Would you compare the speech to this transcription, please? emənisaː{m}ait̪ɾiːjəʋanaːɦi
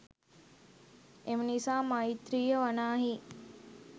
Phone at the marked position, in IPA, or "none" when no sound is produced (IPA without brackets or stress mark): m